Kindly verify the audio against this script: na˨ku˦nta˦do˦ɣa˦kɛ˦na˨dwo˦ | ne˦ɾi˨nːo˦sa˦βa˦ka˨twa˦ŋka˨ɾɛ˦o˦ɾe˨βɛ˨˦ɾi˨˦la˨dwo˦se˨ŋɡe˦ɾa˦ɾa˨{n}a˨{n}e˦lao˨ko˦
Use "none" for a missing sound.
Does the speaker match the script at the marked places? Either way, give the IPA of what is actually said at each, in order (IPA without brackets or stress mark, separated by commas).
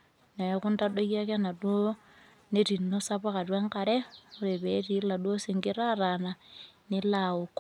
n, n